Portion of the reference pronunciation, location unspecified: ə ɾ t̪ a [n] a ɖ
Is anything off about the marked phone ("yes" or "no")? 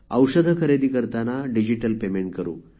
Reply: no